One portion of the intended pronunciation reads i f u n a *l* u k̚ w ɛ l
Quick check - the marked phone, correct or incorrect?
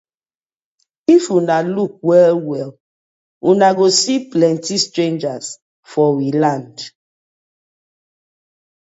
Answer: correct